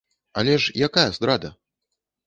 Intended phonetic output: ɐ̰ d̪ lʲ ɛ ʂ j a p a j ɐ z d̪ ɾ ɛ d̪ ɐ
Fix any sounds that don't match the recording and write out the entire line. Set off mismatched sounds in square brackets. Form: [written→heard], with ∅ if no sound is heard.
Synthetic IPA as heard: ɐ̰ [d̪→∅] lʲ ɛ ʂ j a [p→k] a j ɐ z d̪ ɾ [ɛ→a] d̪ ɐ